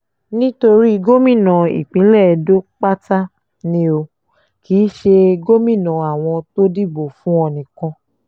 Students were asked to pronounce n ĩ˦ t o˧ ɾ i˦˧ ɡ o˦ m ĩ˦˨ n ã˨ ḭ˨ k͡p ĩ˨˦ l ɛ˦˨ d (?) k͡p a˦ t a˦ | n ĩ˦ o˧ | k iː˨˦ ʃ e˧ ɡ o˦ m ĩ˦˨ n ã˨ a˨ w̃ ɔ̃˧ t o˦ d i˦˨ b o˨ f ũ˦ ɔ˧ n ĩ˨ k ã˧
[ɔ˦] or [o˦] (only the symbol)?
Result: o˦